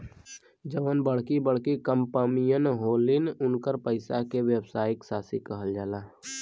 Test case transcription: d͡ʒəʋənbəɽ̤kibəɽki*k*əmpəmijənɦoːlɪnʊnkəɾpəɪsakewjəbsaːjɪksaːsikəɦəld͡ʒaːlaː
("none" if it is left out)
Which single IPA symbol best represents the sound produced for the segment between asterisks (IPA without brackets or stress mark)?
k